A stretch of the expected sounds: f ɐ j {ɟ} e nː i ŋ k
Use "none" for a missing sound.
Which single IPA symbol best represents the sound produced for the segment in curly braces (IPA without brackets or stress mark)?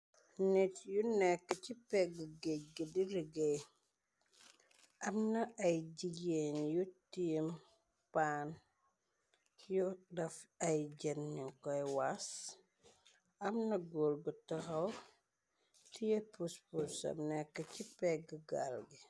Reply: ɟ